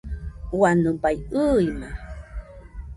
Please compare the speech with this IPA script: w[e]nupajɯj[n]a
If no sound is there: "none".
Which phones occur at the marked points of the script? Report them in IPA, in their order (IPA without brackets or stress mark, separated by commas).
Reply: a, m